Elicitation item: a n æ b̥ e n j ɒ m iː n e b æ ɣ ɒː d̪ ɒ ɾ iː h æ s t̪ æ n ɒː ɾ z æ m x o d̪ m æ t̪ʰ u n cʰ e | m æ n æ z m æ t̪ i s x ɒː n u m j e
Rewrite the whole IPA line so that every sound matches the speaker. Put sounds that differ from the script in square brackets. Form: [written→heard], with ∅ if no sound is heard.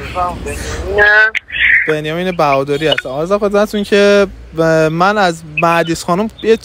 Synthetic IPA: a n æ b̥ e n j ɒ m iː n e b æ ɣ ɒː d̪ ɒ ɾ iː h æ s t̪ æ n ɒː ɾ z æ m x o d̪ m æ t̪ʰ u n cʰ e | m æ n æ z m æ [t̪→d̪] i s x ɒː n u m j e